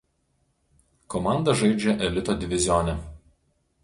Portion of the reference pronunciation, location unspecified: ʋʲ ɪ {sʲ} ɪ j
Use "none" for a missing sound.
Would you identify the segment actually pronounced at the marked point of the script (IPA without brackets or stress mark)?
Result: zʲ